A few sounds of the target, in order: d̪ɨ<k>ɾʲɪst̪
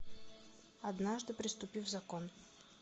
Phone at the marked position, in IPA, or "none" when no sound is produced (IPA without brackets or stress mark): p